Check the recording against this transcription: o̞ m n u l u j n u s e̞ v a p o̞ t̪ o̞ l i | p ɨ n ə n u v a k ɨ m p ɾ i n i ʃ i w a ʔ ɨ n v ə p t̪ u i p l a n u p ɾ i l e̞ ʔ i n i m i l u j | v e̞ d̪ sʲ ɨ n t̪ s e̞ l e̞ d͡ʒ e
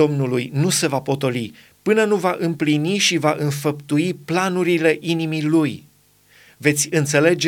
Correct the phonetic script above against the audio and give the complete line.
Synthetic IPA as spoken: o̞ m n u l u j n u s e̞ v a p o̞ t̪ o̞ l i | p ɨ n ə n u v a ʔ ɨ m p l i n i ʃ i v a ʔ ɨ n f ə p t̪ u i p l a n u ɾ i l e̞ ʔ i n i m i l u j | v e̞ t̪ sʲ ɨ n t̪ s e̞ l e̞ d͡ʒ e